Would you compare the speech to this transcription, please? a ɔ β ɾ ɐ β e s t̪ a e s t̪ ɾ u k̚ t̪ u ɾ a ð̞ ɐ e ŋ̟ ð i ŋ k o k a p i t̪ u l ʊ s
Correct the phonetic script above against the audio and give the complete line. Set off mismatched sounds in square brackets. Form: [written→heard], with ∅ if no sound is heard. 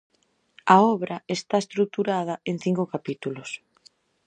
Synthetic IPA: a ɔ β ɾ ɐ [β→∅] e s t̪ a e s t̪ ɾ u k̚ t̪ u ɾ a ð̞ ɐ e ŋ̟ [ð→θ] i ŋ k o k a p i t̪ u l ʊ s